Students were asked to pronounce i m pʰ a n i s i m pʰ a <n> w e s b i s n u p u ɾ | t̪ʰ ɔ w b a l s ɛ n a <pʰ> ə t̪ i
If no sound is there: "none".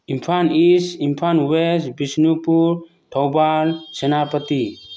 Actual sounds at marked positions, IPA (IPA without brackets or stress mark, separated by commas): n, p